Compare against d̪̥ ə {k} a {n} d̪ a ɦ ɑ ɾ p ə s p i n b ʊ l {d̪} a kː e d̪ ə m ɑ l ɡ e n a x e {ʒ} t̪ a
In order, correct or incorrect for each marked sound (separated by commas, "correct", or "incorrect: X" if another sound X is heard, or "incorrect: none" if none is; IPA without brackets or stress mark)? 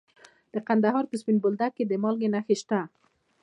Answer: incorrect: q, correct, correct, incorrect: ʃ